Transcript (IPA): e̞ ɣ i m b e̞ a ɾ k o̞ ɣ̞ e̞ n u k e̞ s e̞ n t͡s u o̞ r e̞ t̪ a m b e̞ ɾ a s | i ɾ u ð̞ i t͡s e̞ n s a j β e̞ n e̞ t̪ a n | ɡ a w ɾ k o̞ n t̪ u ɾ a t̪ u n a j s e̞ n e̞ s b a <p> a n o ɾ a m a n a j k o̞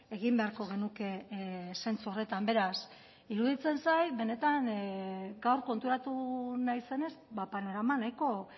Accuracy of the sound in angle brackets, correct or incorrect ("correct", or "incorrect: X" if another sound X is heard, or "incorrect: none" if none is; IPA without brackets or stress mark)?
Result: correct